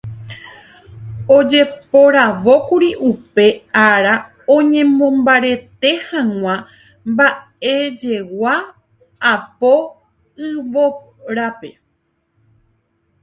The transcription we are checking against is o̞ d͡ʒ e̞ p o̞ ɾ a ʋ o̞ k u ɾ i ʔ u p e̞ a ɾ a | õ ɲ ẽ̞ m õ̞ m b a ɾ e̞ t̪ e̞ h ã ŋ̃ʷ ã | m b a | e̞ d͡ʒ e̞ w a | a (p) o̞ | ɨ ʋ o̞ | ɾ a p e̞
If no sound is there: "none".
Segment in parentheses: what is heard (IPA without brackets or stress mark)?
p